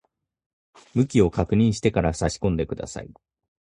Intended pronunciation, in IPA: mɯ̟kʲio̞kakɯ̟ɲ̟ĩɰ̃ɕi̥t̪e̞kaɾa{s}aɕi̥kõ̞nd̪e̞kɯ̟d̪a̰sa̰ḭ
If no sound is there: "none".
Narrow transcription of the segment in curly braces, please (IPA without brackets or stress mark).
s